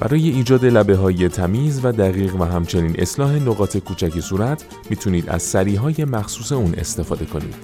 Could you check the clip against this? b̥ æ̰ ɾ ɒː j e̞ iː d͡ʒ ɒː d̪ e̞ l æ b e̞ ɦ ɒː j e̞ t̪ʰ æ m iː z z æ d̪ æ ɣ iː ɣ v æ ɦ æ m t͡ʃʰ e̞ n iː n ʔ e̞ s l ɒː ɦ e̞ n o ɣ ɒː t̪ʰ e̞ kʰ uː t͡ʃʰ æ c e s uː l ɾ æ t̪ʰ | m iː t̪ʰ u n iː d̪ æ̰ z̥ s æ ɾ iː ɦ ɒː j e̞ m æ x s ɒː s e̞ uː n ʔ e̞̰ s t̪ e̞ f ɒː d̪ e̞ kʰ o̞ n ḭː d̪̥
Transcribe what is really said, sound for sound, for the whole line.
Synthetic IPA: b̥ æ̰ ɾ ɒː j e̞ iː d͡ʒ ɒː d̪ e̞ l æ b e̞ ɦ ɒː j e̞ t̪ʰ æ m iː z v æ d̪ æ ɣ iː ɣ v æ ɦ æ m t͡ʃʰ e̞ n iː n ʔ e̞ s l ɒː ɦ e̞ n o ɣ ɒː t̪ʰ e̞ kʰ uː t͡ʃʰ æ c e s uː ɾ æ t̪ʰ | m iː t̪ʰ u n iː d̪ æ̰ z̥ s æ ɾ iː ɦ ɒː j e̞ m æ x s uː s e̞ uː n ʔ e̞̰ s t̪ e̞ f ɒː d̪ e̞ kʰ o̞ n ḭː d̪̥